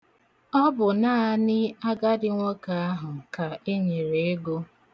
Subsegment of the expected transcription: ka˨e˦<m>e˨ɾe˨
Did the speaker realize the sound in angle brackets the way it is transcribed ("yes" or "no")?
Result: no